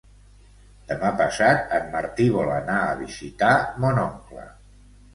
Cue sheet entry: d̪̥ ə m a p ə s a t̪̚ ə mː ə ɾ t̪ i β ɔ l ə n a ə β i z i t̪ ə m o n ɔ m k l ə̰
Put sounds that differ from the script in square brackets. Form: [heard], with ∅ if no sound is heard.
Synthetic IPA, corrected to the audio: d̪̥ ə m a p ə s a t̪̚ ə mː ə ɾ t̪ i β ɔ l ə n a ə β i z i t̪ [a] m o n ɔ [ŋ] k l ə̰